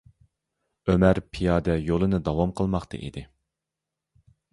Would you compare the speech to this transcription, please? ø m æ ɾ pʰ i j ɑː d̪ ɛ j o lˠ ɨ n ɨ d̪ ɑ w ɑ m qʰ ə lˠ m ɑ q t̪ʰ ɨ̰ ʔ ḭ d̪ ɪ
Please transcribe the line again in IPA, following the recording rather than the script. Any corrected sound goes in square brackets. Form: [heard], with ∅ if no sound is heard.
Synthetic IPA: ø m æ ɾ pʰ i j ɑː d̪ ɛ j o lˠ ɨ n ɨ d̪ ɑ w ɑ m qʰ ə lˠ m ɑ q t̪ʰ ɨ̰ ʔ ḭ d̪ ɪ